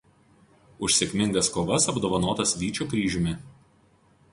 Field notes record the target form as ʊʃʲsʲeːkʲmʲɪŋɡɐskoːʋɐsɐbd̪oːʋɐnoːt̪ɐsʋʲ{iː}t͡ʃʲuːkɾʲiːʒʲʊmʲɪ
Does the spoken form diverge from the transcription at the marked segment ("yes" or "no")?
no